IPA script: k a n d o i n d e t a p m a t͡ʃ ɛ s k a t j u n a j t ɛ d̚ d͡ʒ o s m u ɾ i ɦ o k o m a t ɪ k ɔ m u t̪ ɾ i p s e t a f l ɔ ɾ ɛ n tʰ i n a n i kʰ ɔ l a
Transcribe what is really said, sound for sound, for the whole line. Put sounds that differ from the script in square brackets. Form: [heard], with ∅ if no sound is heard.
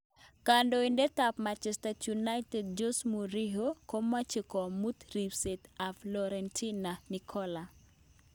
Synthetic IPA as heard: k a n d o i n d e t a p m a t͡ʃ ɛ s [t] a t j u n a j t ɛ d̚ d͡ʒ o s m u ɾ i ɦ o k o m a [t͡ʃ] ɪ k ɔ m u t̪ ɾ i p s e t a f l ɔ ɾ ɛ n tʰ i n a n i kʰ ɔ l a